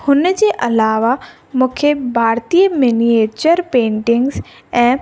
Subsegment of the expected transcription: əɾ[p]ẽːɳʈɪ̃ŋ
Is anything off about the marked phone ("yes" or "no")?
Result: no